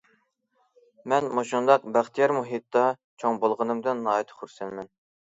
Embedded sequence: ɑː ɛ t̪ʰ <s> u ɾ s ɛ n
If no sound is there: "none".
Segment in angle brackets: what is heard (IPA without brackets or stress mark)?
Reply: χ